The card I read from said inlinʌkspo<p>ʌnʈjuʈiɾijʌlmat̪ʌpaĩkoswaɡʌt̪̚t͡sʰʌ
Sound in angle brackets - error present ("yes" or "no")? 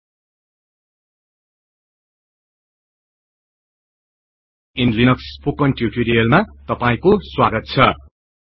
yes